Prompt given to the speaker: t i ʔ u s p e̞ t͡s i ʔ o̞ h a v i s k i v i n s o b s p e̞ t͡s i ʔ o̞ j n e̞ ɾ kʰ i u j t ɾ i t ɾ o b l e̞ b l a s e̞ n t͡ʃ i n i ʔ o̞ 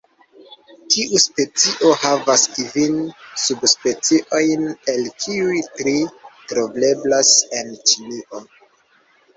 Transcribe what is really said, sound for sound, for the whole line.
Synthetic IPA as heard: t i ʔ u s p e̞ t͡s i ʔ o̞ h a v a s k i v i n s u b s p e̞ t͡s i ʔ o̞ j n e̞ l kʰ i u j t ɾ i t ɾ o b l e̞ b l a s e̞ n t͡ʃ i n i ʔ o̞